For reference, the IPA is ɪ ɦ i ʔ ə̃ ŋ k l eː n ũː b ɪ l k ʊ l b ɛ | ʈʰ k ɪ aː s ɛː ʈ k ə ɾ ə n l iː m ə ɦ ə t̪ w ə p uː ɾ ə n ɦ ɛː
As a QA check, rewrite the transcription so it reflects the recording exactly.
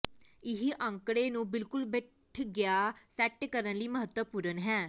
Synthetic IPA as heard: ɪ ɦ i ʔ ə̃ ŋ k ɽ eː n ũː b ɪ l k ʊ l b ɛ | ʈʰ ɡ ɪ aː s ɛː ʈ k ə ɾ ə n l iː m ə ɦ ə t̪ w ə p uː ɾ ə n ɦ ɛː